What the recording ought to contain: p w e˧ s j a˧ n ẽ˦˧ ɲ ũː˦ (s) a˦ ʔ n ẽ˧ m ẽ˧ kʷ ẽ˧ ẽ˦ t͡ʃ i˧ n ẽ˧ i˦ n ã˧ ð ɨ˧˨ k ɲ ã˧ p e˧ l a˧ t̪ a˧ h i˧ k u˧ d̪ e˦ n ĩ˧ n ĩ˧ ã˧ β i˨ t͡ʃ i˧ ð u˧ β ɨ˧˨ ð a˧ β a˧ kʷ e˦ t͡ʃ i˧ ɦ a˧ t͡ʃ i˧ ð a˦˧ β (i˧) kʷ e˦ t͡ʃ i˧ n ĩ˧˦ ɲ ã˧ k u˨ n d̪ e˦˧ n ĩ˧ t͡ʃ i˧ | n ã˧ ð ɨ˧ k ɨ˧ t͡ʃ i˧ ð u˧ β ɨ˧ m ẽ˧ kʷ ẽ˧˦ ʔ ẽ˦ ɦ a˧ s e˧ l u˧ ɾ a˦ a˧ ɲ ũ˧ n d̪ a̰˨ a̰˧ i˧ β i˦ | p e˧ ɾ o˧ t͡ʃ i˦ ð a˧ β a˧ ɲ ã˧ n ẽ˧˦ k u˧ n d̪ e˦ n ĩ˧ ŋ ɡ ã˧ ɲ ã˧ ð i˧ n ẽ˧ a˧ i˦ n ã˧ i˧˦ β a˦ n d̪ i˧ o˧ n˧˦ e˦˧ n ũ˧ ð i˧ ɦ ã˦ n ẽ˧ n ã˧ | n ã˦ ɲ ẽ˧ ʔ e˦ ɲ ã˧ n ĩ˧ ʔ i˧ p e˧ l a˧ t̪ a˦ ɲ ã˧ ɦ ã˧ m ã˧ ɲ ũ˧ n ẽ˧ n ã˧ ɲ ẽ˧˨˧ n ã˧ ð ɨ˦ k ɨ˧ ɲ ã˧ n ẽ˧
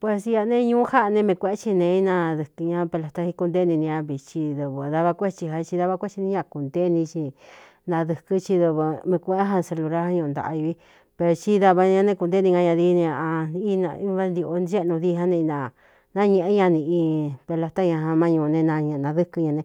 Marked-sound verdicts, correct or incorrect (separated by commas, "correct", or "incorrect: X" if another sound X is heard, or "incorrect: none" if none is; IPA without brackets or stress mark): incorrect: h, incorrect: a˧